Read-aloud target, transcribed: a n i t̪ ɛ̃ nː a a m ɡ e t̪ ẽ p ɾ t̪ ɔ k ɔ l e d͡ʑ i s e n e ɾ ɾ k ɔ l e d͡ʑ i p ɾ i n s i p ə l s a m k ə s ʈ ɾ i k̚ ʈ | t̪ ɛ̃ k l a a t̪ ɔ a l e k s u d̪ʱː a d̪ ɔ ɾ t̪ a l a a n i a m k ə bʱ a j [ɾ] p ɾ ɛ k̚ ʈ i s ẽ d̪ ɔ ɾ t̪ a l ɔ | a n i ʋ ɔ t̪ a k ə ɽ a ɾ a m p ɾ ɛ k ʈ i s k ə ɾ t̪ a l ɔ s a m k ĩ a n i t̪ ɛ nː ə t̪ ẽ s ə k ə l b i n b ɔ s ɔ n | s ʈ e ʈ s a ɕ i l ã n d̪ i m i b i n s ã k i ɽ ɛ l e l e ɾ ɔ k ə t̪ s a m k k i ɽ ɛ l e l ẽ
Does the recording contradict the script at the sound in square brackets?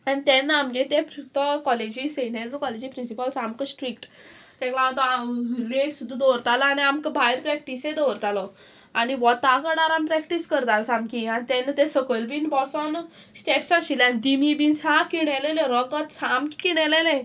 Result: no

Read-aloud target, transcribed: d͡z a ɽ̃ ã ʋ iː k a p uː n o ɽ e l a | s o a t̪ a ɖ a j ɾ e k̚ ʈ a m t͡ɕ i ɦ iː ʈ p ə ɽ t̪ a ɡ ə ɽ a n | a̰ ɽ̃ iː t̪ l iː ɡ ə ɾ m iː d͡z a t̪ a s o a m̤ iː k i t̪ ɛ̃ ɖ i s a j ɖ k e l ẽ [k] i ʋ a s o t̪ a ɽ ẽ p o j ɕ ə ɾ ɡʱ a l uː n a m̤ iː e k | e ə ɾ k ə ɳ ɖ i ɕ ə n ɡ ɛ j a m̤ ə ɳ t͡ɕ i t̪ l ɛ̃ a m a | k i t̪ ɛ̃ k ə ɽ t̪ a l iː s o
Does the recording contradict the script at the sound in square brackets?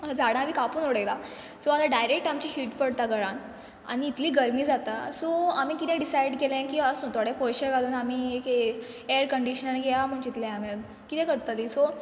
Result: no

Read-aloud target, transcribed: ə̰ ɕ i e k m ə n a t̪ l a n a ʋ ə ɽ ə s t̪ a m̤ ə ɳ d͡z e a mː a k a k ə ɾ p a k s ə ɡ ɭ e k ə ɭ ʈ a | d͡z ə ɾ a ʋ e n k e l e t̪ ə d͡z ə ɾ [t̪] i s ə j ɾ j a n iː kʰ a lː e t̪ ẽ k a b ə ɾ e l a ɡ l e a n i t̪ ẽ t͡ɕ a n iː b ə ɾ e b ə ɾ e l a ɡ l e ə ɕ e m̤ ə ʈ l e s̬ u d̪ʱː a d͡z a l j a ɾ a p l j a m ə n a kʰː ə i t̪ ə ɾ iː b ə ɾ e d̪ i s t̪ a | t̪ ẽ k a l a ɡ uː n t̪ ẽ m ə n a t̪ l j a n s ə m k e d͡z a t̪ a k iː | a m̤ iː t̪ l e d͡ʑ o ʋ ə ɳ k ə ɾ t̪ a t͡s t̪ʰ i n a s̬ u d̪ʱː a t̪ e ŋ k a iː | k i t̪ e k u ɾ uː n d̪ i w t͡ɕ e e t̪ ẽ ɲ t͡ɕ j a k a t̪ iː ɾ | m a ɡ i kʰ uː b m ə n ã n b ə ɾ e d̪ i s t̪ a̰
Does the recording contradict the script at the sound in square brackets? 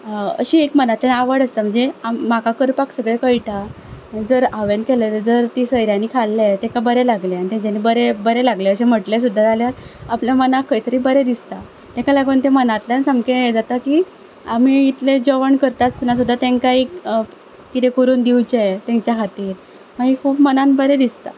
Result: no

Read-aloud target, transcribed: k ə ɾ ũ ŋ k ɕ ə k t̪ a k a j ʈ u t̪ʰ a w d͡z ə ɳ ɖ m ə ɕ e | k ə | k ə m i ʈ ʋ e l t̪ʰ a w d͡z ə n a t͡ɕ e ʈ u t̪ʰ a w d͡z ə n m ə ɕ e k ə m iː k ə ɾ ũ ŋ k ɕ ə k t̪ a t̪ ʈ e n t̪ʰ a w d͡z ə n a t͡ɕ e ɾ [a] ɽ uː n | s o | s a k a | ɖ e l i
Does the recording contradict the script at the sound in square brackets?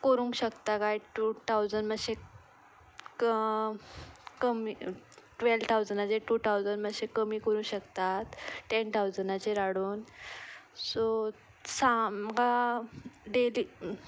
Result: no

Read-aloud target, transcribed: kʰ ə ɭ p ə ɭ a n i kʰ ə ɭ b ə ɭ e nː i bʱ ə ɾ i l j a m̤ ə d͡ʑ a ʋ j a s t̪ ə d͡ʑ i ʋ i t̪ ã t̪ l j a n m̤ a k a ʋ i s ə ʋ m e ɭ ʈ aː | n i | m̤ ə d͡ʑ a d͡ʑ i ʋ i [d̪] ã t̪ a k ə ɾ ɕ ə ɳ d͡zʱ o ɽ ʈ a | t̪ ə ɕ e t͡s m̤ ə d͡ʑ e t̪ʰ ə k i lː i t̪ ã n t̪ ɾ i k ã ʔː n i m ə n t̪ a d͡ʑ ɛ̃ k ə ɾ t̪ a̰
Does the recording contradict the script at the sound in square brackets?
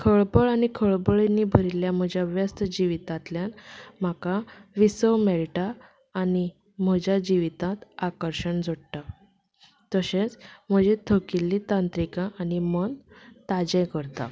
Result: yes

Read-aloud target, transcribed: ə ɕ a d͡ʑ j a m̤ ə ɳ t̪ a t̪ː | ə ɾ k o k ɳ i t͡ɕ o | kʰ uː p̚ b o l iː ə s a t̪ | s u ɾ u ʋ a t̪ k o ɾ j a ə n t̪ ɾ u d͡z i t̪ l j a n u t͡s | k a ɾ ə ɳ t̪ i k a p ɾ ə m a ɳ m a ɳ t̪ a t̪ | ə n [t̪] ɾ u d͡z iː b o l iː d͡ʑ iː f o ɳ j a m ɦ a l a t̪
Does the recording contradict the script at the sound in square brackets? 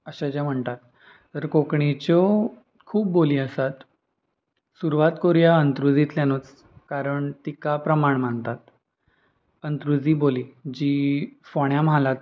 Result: no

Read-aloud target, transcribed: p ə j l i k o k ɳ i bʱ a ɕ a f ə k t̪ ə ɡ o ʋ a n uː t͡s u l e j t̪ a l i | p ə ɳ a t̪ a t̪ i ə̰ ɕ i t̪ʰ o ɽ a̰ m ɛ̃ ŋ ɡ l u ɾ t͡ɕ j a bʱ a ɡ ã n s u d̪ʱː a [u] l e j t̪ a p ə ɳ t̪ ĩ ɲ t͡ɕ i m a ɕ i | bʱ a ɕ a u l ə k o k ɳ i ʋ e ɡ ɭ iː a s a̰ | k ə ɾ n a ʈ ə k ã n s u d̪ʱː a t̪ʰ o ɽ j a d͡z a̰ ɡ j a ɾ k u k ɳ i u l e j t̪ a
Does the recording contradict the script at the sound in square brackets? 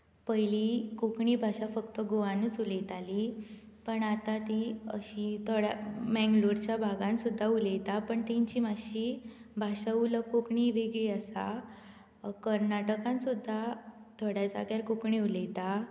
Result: no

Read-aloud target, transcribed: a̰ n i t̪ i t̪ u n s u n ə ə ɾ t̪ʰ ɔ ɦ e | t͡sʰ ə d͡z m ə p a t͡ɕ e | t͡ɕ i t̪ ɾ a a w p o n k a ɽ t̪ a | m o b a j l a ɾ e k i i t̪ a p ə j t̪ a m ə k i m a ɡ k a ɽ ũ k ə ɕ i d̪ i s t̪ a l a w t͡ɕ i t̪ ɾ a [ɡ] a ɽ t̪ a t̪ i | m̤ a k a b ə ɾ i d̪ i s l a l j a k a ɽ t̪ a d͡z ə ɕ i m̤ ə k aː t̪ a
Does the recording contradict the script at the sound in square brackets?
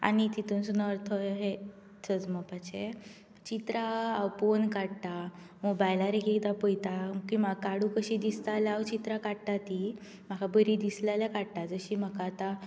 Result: yes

